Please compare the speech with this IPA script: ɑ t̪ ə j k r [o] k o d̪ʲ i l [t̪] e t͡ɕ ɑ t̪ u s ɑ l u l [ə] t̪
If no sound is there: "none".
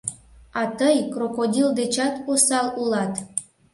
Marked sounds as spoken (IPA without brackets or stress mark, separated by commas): o, d̪, ɑ